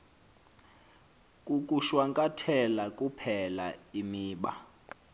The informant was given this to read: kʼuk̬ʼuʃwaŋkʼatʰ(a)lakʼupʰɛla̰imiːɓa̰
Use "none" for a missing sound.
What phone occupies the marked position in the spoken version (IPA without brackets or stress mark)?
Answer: ɛ